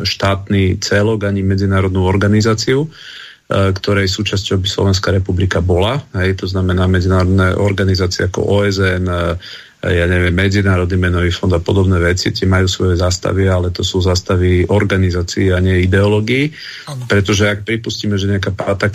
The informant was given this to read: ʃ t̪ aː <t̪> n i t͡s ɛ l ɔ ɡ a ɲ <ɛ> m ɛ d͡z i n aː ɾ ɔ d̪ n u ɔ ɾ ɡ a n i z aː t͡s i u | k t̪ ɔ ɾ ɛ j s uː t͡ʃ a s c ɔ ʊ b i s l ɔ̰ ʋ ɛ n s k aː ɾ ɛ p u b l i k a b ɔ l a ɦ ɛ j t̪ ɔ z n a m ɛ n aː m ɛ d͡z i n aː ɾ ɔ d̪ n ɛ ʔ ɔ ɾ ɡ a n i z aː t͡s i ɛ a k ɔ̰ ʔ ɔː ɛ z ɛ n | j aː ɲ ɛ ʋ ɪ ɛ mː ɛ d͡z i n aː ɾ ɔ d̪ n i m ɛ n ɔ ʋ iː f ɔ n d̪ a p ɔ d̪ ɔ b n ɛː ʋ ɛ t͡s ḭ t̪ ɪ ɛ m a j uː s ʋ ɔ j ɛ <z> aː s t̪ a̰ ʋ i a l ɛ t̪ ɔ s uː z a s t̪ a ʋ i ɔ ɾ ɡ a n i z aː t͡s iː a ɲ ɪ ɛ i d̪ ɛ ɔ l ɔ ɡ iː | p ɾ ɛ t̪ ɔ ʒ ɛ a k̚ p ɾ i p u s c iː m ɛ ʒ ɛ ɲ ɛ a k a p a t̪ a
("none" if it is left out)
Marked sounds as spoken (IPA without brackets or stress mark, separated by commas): t̪, i, z